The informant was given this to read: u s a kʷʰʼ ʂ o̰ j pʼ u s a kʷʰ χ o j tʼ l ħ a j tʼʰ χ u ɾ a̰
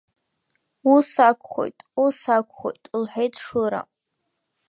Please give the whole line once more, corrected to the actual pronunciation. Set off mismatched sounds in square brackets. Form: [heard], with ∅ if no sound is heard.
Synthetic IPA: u s a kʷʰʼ [χ] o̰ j [tʼ] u s a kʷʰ χ o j tʼ l ħ [e] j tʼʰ [ʂ] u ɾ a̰